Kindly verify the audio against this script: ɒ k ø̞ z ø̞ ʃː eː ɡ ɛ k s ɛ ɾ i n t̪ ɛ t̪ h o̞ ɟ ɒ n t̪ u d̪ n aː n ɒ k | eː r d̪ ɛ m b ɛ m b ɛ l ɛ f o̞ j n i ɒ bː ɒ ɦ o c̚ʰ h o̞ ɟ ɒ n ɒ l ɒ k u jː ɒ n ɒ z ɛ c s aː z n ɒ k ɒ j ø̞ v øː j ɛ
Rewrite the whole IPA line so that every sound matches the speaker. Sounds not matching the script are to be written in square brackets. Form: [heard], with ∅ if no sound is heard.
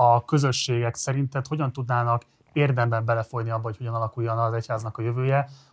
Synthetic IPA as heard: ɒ k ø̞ z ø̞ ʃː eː ɡ ɛ k s ɛ ɾ i n t̪ ɛ t̪ h o̞ ɟ ɒ n t̪ u d̪ n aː n ɒ k | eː r d̪ ɛ m b ɛ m b ɛ l ɛ f o̞ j n i ɒ bː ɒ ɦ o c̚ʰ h o̞ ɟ ɒ n ɒ l ɒ k u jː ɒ n ɒ z ɛ c [h] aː z n ɒ k ɒ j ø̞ v øː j ɛ